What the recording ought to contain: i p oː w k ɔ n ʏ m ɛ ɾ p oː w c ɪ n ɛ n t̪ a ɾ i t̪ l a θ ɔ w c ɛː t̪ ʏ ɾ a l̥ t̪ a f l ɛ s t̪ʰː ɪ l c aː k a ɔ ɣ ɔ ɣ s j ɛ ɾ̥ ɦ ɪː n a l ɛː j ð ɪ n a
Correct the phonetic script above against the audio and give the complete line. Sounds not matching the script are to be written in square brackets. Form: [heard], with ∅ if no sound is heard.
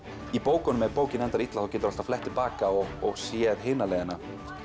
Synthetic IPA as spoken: i p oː w k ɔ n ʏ m ɛ ɾ p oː w c ɪ n ɛ n t̪ a ɾ i t̪ l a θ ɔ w c ɛː t̪ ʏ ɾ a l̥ t̪ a f l ɛ [h] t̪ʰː ɪ l [p] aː k a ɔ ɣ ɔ ɣ s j ɛ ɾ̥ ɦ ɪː n a l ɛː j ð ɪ n a